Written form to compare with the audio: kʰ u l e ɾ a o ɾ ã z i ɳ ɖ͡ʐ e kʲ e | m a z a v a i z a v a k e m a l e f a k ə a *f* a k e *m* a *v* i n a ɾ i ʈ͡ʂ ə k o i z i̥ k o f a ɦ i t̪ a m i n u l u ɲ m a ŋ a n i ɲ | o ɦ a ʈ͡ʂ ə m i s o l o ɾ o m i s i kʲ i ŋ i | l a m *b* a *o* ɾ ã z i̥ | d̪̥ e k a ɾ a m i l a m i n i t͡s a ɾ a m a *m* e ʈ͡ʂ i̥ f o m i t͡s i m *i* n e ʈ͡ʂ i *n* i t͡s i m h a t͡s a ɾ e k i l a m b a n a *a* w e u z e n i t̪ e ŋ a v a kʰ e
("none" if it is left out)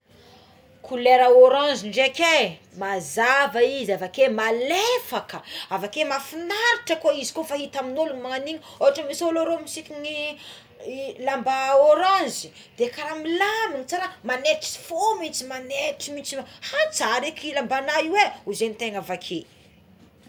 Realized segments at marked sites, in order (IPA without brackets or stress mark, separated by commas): v, m, f, b, o, n, a, m, i